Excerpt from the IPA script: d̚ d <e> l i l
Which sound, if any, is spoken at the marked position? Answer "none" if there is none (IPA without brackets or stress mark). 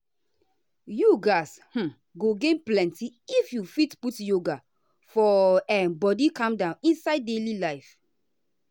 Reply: e